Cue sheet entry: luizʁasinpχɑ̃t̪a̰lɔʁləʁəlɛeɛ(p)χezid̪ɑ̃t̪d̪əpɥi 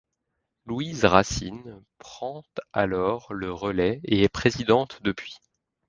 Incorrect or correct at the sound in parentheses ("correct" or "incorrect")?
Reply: correct